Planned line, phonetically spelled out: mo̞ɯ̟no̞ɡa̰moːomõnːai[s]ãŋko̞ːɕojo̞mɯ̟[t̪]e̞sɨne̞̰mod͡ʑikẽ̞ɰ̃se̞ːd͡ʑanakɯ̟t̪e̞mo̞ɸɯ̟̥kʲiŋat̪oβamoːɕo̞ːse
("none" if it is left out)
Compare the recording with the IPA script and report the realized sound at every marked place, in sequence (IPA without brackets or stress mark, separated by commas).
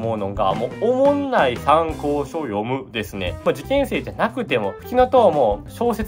s, d̪